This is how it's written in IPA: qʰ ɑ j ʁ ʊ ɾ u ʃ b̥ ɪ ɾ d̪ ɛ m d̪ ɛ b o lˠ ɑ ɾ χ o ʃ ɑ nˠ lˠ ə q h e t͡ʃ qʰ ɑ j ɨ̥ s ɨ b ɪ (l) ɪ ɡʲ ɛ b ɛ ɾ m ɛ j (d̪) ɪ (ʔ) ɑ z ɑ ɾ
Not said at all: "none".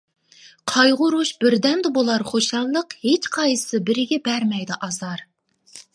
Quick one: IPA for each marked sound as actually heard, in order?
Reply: ɾ, d̪, ʔ

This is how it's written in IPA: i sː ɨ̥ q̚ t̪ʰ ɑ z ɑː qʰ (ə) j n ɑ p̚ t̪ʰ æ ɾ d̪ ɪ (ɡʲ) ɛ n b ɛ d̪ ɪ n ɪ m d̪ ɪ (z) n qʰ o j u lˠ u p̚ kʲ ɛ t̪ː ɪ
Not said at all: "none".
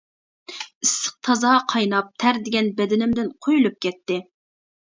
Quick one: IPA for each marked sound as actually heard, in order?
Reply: ɑ, ɡʲ, none

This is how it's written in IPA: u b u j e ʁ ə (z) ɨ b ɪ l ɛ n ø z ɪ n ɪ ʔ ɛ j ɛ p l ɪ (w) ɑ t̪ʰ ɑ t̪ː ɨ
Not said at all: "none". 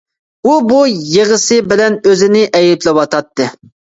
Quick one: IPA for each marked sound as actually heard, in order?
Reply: s, w

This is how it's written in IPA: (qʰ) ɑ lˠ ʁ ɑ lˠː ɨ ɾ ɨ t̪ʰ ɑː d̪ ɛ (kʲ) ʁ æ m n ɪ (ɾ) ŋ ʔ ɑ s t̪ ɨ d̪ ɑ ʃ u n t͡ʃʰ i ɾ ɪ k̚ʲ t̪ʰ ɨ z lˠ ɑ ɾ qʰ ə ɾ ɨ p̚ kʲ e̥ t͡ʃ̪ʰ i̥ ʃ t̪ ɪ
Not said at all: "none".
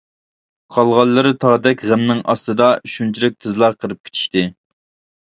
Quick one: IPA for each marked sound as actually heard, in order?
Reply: qʰ, kʲ, none

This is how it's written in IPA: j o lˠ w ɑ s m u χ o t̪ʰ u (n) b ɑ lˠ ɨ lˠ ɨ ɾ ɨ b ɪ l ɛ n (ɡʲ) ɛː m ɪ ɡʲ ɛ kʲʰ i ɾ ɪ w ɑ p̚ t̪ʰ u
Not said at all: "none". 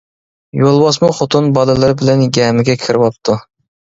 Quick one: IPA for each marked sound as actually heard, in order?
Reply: n, ɡʲ

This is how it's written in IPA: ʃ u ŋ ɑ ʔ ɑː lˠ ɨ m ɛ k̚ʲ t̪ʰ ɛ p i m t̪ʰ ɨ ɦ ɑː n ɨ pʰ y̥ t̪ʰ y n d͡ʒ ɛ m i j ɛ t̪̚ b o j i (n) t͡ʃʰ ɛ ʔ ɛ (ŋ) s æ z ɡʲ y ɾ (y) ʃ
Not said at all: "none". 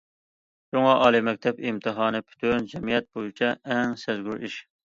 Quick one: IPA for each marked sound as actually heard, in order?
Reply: none, ŋ, i

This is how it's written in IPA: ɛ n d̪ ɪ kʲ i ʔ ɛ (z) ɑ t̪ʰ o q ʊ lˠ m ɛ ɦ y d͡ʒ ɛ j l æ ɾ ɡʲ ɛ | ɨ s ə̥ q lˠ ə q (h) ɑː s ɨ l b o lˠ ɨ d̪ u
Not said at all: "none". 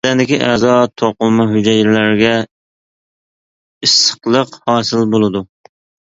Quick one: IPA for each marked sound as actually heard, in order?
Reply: z, h

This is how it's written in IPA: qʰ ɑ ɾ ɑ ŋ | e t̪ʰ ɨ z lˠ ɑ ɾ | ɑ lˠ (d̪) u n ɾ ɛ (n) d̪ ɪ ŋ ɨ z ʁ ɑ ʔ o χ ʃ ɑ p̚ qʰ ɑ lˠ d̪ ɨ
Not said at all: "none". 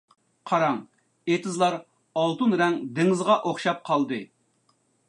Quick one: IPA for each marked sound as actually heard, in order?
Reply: t̪, ŋ

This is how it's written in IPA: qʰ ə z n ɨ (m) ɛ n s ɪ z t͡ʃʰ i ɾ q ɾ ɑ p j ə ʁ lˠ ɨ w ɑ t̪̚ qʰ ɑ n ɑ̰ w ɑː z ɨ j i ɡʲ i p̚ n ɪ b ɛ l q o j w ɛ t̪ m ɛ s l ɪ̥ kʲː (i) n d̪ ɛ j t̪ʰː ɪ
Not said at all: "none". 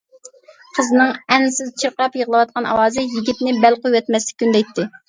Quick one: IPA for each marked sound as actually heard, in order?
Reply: ŋ, y

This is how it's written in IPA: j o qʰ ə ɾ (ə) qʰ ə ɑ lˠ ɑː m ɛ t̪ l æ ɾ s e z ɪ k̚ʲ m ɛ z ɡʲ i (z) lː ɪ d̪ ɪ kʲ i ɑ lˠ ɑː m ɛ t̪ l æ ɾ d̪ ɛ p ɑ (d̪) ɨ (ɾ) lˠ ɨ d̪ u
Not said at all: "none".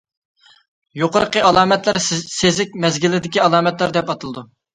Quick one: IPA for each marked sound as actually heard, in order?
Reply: ə, none, t̪, none

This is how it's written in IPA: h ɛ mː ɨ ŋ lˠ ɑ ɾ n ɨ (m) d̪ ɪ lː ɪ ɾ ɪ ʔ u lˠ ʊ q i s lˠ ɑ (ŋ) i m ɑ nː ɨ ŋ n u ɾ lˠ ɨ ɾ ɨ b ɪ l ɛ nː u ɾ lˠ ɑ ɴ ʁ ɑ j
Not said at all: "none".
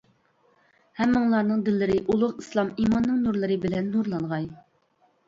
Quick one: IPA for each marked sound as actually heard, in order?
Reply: ŋ, m

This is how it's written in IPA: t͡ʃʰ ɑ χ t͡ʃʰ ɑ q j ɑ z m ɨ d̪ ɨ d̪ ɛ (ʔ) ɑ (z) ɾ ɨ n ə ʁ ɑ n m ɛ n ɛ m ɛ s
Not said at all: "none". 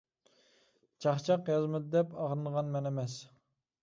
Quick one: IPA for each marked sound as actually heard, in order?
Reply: p, ʁ

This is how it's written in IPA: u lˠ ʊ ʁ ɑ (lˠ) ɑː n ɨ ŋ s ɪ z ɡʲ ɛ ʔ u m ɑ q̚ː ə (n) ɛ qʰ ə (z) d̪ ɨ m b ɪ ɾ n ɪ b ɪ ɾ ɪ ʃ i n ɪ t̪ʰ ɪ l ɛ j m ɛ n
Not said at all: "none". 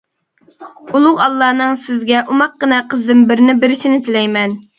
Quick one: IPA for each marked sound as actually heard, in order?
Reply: lˠː, n, z

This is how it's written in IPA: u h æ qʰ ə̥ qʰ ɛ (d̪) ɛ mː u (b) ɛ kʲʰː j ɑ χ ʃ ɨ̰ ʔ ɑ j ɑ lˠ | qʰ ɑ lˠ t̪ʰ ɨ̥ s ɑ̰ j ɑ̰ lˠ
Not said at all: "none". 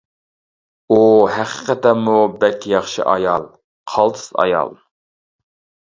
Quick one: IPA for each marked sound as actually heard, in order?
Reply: t̪, b

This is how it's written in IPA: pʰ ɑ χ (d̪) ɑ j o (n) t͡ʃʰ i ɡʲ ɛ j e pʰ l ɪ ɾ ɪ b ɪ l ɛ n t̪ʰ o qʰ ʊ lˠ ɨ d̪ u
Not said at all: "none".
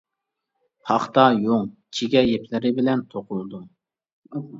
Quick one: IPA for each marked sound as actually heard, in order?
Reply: t̪, ŋ

